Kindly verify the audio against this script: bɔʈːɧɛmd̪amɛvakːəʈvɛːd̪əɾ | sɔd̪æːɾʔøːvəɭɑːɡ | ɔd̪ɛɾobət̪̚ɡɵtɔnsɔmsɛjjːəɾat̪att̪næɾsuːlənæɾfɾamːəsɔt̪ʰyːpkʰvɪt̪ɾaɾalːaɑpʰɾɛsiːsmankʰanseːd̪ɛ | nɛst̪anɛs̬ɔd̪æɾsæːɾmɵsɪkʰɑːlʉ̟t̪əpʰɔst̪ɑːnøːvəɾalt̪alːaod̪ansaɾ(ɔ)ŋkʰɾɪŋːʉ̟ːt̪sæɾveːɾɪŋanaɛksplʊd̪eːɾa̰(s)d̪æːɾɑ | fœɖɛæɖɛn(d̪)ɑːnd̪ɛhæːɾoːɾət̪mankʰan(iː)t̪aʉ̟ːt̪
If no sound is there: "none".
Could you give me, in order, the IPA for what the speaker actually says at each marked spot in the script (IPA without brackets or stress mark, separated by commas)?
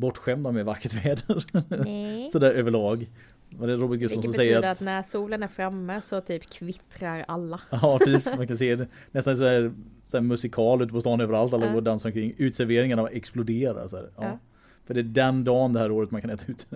ɔ, s, d̪, ɛː